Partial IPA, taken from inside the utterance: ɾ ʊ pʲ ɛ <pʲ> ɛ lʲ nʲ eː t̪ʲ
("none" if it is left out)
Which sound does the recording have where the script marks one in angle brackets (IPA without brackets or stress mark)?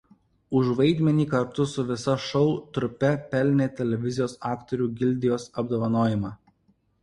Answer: pʲ